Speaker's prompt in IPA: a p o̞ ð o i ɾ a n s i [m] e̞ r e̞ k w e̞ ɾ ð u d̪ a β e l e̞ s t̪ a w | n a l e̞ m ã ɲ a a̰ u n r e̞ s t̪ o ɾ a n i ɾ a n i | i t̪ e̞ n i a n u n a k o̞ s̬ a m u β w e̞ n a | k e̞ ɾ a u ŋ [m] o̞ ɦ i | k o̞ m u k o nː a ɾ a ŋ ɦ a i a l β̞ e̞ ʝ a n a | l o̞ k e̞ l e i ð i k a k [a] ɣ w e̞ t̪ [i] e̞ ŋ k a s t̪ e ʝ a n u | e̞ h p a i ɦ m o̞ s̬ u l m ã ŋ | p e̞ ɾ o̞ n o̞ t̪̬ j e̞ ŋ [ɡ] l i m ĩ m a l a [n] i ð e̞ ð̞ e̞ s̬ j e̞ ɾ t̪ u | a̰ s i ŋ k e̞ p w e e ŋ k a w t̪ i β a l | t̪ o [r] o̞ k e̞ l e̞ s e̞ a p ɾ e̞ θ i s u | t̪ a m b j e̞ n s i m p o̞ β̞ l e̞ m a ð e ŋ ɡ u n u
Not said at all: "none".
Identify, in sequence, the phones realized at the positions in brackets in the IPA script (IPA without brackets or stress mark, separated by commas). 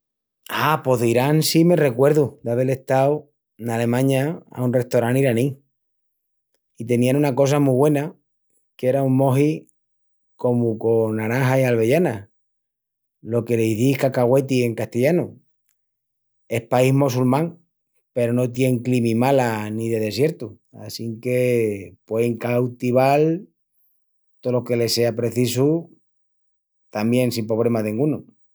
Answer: m, m, a, i, k, n, l